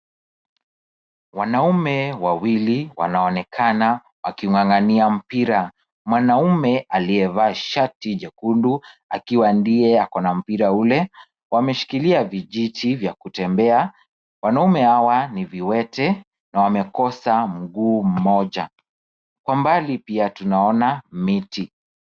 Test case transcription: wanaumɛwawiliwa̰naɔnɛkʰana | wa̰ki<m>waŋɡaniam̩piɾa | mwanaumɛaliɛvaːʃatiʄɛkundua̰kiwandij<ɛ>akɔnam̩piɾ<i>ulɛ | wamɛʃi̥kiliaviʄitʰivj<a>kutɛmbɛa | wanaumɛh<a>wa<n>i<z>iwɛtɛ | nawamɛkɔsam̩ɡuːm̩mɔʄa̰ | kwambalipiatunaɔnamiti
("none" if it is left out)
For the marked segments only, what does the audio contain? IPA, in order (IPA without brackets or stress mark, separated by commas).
ŋ, ɛ, a, a, a, n, v